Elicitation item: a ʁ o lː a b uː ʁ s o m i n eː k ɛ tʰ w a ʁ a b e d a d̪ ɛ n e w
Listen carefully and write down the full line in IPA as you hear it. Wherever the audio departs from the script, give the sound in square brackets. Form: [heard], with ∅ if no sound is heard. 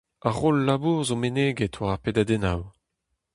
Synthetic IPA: a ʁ o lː a b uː ʁ [z] o m [e] n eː [ɡ] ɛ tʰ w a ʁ a [p] e d a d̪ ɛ n [a] w